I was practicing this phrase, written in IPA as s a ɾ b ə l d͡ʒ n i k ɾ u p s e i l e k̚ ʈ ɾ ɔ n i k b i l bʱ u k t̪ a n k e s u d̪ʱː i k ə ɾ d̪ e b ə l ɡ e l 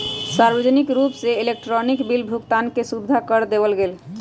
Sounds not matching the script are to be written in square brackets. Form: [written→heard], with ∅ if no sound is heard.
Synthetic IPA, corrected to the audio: s a ɾ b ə [l→∅] d͡ʒ n i k ɾ u p s e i l e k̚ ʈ ɾ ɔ n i k b i l bʱ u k t̪ a n k e s u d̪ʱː [i→a] k ə ɾ d̪ e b ə l ɡ e l